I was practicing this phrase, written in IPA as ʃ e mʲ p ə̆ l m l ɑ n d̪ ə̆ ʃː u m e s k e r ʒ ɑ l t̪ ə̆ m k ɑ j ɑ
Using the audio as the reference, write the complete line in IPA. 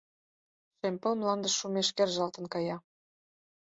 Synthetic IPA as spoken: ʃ e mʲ p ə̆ l m l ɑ n d̪ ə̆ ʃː u m e ʃ k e r ʒ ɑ l t̪ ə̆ n k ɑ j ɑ

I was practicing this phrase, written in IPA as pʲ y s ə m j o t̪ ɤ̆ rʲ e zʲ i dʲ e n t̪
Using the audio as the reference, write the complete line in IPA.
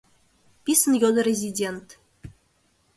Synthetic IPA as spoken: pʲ i s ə n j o d̪ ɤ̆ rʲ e zʲ i dʲ e n t̪

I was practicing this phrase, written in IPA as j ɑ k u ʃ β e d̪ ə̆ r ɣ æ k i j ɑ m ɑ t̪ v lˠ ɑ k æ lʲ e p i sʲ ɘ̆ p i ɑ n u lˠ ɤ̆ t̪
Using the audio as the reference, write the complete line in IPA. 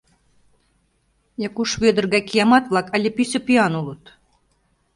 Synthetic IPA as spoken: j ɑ k u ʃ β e d̪ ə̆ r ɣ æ k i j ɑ m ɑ t̪ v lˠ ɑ k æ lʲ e p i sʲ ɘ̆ p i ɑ n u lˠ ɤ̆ t̪

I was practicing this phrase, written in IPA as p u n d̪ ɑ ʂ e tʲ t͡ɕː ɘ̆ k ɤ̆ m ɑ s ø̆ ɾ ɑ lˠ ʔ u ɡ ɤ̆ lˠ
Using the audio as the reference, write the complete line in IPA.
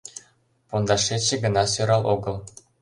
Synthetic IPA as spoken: p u n d̪ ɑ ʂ e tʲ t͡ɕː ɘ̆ ɡ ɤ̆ n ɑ s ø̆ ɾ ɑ lˠ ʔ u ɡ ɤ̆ lˠ

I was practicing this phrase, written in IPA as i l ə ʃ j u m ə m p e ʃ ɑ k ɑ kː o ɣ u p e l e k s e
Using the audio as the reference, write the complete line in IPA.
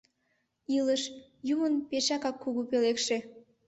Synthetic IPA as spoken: i l ə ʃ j u m ə n p e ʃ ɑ k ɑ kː u ɣ u p e l e k ʃ e

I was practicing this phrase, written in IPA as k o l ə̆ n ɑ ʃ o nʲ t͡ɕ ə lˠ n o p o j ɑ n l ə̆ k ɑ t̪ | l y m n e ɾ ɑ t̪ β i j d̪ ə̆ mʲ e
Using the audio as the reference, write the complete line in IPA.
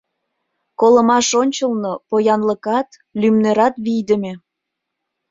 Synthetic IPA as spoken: k o l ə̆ m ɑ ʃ o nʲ t͡ɕ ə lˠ n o p o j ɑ n l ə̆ k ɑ t̪ | l y m n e ɾ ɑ t̪ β i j d̪ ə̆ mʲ e

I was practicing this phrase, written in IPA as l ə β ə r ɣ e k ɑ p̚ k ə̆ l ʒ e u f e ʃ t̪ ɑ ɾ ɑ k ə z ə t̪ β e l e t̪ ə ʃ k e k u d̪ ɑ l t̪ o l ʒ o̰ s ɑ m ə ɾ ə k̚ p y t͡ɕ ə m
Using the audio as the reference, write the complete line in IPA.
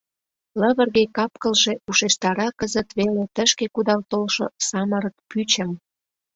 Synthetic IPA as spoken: l ə β ə r ɣ e k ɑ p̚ k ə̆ l ʒ e u ʃ e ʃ t̪ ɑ ɾ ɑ k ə z ə t̪ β e l e t̪ ə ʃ k e k u d̪ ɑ l t̪ o l ʃ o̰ s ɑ m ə ɾ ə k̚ p y t͡ɕ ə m

